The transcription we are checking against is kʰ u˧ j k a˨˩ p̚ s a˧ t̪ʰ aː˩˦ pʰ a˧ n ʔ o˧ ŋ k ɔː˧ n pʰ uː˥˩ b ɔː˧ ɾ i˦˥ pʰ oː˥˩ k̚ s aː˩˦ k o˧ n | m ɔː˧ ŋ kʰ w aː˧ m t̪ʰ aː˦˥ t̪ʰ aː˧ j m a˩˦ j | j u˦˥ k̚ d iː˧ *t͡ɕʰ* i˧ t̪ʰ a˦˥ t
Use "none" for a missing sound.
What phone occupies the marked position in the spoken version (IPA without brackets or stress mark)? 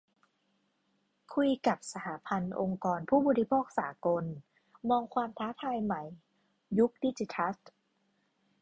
t͡ɕ